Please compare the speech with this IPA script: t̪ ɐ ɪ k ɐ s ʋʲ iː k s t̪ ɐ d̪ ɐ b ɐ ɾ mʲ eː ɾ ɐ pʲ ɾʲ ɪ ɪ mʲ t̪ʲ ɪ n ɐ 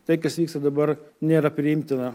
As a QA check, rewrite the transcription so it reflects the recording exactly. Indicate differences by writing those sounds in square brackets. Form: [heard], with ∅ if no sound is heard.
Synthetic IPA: t̪ ɐ ɪ k ɐ s ʋʲ iː k s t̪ ɐ d̪ ɐ b ɐ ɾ [nʲ] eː ɾ ɐ pʲ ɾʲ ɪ ɪ mʲ t̪ʲ ɪ n ɐ